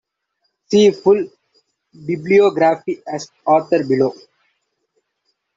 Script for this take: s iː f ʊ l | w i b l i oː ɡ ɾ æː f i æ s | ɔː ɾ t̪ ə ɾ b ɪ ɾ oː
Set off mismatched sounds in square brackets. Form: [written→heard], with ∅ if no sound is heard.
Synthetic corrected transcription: s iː f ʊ l | [w→b] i b l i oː ɡ ɾ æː f i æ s | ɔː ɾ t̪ ə ɾ b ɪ [ɾ→l] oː

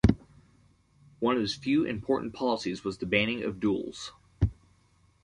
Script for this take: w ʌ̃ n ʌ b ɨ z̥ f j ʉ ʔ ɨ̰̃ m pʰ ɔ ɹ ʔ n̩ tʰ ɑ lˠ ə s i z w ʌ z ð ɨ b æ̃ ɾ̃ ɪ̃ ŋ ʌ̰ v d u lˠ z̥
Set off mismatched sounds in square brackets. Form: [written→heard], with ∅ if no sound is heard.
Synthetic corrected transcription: w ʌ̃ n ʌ [b→v] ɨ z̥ f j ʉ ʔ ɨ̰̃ m pʰ ɔ ɹ ʔ n̩ [tʰ→pʰ] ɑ lˠ ə s i z w ʌ z ð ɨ b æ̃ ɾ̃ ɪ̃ ŋ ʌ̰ v d u lˠ z̥

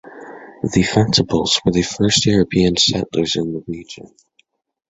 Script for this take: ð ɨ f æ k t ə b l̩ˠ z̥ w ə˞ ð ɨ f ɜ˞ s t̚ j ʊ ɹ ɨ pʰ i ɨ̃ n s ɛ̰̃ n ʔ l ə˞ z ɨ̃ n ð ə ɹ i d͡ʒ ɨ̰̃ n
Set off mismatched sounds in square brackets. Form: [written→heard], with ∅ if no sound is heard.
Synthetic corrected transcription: ð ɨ f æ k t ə b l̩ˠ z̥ w ə˞ ð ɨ f ɜ˞ s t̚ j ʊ ɹ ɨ pʰ i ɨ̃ n s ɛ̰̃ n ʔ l ə˞ z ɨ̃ n ð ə ɹ i d͡ʒ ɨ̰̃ n

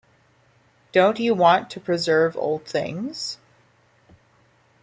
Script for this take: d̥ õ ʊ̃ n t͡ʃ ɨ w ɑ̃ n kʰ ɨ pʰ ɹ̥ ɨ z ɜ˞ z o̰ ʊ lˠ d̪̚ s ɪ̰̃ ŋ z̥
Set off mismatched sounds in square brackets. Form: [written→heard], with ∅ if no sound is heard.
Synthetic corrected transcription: d̥ õ ʊ̃ n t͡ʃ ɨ w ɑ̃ n [kʰ→tʰ] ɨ pʰ ɹ̥ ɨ z ɜ˞ [z→v] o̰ ʊ lˠ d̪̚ [s→θ] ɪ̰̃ ŋ z̥

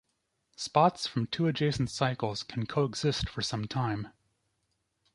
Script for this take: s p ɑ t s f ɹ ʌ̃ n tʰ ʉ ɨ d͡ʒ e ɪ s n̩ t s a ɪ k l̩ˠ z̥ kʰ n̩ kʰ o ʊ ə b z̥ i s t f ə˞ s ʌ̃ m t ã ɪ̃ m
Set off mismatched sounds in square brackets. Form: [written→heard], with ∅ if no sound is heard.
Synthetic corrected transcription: s p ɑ t s f ɹ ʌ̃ [n→m] tʰ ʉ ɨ d͡ʒ e ɪ s n̩ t s a ɪ k l̩ˠ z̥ kʰ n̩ kʰ o ʊ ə [b→ɡ] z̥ [i→ɪ] s t f ə˞ s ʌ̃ m [t→tʰ] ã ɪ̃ m

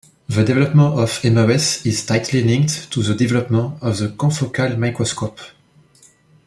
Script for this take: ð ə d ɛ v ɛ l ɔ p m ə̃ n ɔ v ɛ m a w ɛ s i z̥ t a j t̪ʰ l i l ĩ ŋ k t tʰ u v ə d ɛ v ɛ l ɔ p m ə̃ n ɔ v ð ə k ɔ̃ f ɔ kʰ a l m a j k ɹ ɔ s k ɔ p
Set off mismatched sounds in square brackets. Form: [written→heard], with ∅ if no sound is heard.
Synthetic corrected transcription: ð ə d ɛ v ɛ l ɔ p m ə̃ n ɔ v ɛ m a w ɛ s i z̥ t a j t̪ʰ l i l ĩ ŋ k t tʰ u [v→ð] ə d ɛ v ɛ l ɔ p m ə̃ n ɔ v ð ə k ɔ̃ f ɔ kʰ a l m a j k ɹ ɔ s k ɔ p

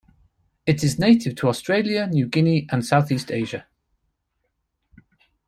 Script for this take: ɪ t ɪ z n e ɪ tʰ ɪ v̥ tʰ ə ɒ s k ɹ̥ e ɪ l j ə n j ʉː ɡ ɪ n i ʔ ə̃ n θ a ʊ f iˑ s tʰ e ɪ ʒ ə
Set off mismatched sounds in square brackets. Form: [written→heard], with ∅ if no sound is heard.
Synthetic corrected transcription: ɪ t ɪ z n e ɪ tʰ ɪ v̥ tʰ ə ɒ s [k→t] ɹ̥ e ɪ l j ə n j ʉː ɡ ɪ n i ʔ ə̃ n [θ→s] a ʊ [f→θ] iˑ s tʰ e ɪ ʒ ə

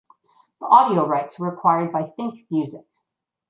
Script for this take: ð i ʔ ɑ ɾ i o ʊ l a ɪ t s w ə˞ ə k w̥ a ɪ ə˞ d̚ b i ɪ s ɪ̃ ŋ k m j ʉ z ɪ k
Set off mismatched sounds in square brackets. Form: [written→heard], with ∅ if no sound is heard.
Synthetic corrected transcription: ð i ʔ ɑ ɾ i o ʊ [l→ɹ] a ɪ t s w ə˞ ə [k→kʰ] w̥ a ɪ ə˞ d̚ b [i→a] ɪ [s→θ] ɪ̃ ŋ k m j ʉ z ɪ k

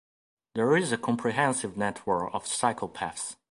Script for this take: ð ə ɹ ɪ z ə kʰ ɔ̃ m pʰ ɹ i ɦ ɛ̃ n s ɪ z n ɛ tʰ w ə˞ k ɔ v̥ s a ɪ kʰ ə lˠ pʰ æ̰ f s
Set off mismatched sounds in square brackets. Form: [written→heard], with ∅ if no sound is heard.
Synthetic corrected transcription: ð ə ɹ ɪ z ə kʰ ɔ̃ m pʰ ɹ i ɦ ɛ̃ n s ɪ [z→v] n ɛ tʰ w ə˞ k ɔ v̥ s a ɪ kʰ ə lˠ pʰ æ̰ f s

